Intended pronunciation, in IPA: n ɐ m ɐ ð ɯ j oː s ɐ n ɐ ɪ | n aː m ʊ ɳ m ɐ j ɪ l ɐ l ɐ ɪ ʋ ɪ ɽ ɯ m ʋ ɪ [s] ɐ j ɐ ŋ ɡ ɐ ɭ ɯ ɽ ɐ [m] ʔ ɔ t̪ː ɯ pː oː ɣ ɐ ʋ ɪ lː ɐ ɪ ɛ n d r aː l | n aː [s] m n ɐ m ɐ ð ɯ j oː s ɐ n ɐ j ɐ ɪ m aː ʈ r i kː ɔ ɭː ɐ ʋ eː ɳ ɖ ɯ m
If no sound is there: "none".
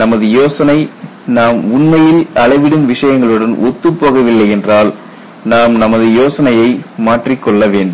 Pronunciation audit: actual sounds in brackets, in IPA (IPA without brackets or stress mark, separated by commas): ʂ, n, none